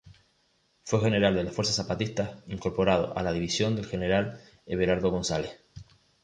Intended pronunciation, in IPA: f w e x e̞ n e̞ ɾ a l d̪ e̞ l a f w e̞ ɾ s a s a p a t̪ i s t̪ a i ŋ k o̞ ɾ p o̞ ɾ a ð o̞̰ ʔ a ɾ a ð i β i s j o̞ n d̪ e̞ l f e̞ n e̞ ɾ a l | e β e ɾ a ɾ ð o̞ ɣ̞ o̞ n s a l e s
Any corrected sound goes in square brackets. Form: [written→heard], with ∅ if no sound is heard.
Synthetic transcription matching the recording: f w e x e̞ n e̞ ɾ a l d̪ e̞ l a f w e̞ ɾ s a s a p a t̪ i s t̪ a i ŋ k o̞ ɾ p o̞ ɾ a ð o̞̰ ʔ a [ɾ→l] a ð i β i s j o̞ n d̪ e̞ l [f→x] e̞ n e̞ ɾ a l | e β e ɾ a ɾ ð o̞ ɣ̞ o̞ n s a l e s